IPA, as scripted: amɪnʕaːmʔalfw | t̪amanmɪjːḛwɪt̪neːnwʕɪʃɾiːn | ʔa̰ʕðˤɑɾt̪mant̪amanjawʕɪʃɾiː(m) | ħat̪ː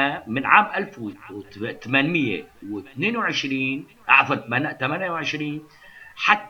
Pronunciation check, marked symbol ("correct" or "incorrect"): incorrect